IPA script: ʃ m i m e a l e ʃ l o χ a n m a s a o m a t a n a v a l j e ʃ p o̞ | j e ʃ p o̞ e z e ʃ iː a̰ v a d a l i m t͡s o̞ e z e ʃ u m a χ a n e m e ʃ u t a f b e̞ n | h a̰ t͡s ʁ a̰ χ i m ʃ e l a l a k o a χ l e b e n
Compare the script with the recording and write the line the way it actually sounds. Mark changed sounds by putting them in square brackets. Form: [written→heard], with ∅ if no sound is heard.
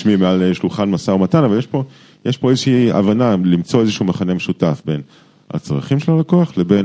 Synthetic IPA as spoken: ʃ m i m e a l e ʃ l [o→u] χ a n m a s a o m a t a n a v a l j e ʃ p o̞ | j e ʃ p o̞ e z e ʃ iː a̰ v a [d→n] a l i m t͡s o̞ e z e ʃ u m a χ a n e m e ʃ u t a f b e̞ n | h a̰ t͡s ʁ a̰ χ i m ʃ e l a l a k o a χ l e b e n